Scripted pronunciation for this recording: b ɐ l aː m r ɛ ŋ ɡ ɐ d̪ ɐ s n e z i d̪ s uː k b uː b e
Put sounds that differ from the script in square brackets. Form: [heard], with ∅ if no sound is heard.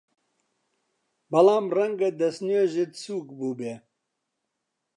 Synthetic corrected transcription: b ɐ l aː m r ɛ ŋ ɡ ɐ d̪ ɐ s n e [ʒ] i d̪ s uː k b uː b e